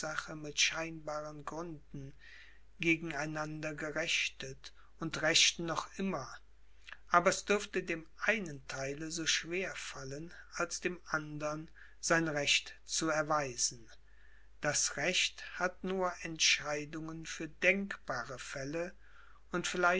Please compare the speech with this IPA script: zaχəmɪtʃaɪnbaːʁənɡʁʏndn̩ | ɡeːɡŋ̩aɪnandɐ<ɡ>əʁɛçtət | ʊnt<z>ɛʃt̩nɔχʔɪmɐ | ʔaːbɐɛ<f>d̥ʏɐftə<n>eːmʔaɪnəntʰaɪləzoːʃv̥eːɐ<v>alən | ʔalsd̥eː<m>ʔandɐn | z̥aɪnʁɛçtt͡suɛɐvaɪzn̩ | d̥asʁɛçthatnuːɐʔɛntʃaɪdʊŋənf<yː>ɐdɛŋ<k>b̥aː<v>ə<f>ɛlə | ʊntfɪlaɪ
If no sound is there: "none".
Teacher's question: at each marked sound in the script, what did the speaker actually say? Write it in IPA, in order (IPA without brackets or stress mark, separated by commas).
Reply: ɡ, ʁ, s, d, f, m, yː, k, ʁ, f